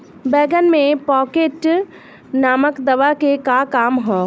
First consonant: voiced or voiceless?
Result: voiced